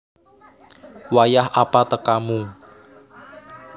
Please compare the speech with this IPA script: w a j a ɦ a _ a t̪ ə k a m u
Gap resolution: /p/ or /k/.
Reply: p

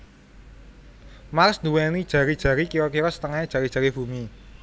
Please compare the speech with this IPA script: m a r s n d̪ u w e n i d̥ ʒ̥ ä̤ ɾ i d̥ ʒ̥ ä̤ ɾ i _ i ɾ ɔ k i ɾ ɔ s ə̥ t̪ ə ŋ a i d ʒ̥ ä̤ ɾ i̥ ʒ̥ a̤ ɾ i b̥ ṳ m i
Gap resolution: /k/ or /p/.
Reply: k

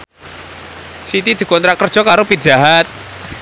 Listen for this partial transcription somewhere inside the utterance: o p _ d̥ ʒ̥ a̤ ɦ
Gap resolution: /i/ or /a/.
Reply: i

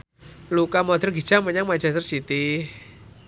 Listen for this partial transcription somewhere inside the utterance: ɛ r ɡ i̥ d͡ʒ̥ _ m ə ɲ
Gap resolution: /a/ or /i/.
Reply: a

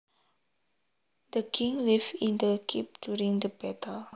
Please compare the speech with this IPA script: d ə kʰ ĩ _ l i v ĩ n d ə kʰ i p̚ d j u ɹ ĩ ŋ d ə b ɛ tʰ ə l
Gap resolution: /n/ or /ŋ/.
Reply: ŋ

